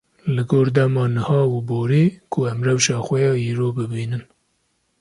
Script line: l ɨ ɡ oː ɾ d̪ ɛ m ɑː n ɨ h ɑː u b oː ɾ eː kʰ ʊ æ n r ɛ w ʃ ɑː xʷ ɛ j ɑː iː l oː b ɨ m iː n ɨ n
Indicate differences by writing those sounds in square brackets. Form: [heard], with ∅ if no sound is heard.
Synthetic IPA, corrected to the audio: l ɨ ɡ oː ɾ d̪ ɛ m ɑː n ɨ h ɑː u b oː ɾ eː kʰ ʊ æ [m] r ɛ w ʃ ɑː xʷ ɛ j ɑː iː [ɾ] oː b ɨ [b] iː n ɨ n